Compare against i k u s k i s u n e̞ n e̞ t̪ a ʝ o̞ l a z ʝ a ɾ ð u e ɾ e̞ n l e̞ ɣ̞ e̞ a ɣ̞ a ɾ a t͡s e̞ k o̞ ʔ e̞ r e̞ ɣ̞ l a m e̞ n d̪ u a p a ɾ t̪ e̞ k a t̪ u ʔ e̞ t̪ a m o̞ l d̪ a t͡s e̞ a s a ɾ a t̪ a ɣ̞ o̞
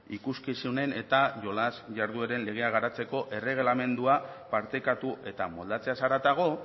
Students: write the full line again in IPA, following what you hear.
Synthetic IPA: i k u s k i s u n e̞ n e̞ t̪ a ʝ o̞ l a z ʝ a ɾ ð u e ɾ e̞ n l e̞ ɣ̞ e̞ a ɣ̞ a ɾ a t͡s e̞ k o̞ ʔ e̞ r e̞ ɣ̞ l a m e̞ n d̪ u a p a ɾ t̪ e̞ k a t̪ u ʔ e̞ t̪ a m o̞ l d̪ a t͡s e̞ a s a ɾ a t̪ a ɣ̞ o̞